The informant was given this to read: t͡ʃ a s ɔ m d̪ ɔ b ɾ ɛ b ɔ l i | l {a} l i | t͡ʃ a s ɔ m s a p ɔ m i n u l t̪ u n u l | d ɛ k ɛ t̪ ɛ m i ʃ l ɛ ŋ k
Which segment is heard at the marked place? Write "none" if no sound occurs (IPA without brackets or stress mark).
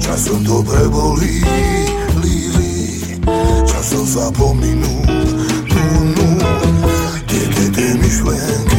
i